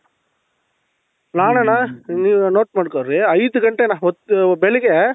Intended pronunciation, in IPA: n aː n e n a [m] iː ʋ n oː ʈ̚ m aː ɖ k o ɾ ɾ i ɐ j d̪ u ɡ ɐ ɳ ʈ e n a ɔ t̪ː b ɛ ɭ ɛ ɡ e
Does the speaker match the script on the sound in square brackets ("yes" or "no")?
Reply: no